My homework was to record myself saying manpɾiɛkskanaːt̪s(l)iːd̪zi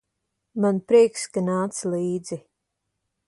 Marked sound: correct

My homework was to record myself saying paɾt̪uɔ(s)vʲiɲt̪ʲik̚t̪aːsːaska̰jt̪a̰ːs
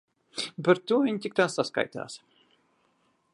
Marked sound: incorrect: none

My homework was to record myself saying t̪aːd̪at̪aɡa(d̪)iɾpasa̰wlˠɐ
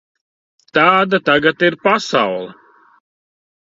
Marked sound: incorrect: t̪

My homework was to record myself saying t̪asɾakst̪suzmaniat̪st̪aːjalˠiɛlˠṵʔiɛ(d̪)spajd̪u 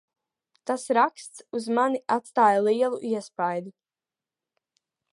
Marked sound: incorrect: none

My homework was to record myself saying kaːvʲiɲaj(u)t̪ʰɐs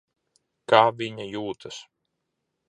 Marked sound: incorrect: uː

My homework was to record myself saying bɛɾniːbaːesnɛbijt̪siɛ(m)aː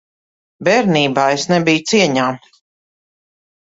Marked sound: incorrect: ɲ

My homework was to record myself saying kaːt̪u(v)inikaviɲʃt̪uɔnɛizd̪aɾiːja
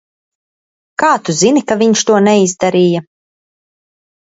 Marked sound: incorrect: z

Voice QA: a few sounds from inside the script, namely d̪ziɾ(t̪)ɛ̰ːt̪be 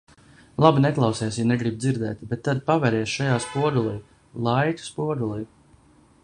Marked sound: incorrect: d̪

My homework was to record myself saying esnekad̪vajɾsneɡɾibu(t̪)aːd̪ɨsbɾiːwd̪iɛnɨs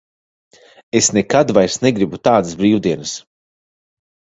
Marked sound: correct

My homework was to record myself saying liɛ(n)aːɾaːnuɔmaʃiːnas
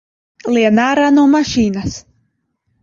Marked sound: correct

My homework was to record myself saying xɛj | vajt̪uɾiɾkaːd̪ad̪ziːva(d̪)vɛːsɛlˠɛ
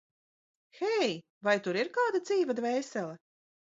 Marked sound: correct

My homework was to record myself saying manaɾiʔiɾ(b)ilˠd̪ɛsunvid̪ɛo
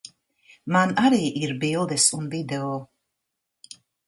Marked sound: correct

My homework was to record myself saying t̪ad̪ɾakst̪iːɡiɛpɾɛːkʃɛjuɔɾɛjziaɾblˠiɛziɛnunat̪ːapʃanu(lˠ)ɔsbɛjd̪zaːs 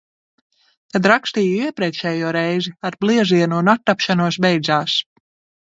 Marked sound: incorrect: none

